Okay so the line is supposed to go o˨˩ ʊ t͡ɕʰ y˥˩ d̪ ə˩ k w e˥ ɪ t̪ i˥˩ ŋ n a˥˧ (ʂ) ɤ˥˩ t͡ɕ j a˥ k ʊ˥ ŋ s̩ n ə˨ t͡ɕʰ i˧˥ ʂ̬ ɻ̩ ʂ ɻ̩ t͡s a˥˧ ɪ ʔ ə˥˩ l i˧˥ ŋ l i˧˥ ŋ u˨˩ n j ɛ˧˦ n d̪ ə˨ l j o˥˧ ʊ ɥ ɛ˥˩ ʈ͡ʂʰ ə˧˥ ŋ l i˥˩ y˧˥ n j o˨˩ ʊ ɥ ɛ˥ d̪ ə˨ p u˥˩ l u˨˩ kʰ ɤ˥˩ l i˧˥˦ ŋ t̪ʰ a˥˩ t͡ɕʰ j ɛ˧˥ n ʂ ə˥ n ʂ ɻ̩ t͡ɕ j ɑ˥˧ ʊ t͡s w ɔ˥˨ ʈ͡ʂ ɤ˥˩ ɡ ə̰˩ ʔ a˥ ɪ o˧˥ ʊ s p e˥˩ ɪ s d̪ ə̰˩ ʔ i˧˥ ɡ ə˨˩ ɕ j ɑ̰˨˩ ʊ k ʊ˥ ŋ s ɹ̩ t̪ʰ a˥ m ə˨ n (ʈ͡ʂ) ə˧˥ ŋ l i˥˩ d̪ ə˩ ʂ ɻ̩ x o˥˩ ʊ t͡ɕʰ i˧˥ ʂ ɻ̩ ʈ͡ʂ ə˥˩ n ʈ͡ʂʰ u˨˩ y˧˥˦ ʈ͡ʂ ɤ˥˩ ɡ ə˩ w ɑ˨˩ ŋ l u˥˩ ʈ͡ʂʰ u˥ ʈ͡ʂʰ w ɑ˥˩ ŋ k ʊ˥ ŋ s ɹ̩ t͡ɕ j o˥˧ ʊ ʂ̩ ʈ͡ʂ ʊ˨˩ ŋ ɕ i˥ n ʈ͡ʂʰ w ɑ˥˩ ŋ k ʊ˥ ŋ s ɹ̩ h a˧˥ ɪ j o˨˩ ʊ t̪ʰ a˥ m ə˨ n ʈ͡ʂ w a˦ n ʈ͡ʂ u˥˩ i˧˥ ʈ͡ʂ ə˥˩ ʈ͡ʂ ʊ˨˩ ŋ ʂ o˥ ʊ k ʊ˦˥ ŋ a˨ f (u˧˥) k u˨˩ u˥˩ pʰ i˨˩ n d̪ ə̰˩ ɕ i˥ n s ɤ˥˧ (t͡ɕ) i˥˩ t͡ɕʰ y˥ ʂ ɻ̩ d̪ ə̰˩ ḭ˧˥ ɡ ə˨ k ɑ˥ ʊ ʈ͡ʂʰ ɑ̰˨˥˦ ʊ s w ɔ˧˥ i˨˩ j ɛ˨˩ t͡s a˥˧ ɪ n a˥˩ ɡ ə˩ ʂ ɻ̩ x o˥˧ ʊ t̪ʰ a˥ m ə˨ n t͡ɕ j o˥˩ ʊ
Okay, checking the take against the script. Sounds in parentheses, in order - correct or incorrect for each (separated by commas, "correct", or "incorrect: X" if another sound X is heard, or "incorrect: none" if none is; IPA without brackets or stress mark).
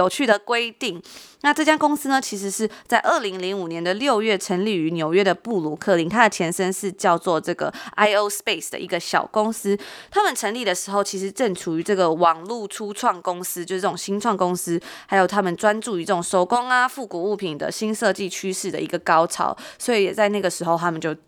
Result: incorrect: ʈ͡ʂ, incorrect: ʈ͡ʂʰ, incorrect: u˥˩, correct